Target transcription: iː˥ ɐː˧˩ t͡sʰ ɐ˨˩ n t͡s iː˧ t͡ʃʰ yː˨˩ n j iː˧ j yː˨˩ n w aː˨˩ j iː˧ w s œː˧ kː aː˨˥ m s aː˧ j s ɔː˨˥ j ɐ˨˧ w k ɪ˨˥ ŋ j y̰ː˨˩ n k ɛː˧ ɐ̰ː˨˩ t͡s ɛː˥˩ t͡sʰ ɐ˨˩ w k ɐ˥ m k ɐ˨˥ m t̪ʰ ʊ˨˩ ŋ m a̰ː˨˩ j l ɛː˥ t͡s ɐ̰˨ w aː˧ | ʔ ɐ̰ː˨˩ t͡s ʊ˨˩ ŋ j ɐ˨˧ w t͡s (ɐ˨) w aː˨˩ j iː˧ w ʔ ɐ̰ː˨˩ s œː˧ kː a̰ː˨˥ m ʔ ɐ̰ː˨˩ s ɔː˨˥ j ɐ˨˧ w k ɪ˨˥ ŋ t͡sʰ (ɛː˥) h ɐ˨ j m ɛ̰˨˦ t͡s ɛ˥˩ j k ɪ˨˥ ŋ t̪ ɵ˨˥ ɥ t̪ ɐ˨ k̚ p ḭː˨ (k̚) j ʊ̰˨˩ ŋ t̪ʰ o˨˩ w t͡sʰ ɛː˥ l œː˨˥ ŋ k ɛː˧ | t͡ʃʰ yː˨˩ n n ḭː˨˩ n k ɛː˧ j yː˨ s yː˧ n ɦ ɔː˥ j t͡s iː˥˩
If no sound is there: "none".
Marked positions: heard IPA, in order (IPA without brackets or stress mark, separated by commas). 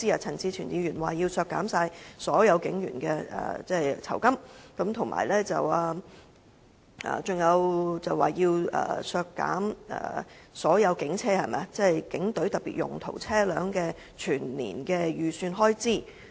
ɐ˨, ɛː˥, t̚